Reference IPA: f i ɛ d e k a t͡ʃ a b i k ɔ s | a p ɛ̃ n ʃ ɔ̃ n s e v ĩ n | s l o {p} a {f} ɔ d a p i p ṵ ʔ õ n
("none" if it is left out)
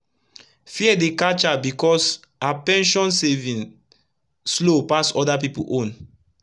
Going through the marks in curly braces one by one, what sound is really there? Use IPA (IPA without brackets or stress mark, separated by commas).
p, s